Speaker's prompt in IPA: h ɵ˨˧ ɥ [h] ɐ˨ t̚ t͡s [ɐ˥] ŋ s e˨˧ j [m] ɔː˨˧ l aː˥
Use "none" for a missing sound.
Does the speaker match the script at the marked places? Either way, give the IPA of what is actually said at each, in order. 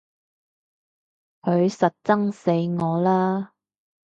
s, ɐ˥, ŋ

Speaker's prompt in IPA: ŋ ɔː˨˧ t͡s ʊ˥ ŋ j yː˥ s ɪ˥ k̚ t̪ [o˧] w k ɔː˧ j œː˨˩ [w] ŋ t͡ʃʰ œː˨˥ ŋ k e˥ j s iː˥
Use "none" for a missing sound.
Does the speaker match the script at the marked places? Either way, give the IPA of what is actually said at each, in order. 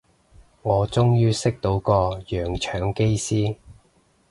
o˨˥, none

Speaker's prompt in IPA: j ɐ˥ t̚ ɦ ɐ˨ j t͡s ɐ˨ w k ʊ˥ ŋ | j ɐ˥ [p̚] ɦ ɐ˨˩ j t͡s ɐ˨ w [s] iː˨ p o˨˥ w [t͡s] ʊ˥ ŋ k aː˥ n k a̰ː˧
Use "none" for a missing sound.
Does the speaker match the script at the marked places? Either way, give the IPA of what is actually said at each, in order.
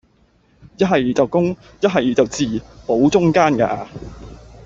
t̚, t͡s, t͡s

